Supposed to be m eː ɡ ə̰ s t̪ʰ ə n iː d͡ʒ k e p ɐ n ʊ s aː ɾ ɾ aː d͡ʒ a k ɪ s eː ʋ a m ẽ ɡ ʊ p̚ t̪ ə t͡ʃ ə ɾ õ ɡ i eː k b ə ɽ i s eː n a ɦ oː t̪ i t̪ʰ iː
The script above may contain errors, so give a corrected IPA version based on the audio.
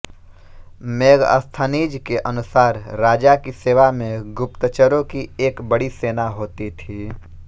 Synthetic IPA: m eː ɡ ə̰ s t̪ʰ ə n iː d͡ʒ k e ʔ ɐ n ʊ s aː ɾ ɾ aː d͡ʒ a k i s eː ʋ a m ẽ ɡ ʊ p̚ t̪ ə t͡ʃ ə ɾ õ k i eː k b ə ɽ i s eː n a ɦ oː t̪ i t̪ʰ iː